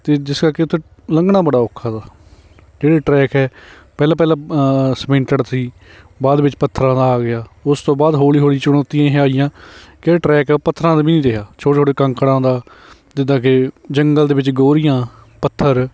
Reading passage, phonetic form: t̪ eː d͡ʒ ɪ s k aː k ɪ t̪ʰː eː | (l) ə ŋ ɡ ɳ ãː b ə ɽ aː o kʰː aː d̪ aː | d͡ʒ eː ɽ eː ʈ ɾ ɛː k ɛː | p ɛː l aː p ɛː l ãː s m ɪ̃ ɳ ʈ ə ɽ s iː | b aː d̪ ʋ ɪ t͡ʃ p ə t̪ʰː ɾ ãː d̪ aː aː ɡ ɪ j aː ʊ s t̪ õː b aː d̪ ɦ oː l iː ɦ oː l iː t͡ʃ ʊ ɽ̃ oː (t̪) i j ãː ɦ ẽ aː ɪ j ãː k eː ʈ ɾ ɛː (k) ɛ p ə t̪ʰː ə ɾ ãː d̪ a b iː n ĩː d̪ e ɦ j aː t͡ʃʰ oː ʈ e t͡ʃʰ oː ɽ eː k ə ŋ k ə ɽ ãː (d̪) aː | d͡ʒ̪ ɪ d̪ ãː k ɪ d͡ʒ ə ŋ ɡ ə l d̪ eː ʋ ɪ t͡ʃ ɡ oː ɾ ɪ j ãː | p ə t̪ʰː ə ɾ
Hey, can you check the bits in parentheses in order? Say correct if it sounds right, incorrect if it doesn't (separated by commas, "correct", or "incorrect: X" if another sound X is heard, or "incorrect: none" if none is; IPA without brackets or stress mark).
correct, correct, correct, correct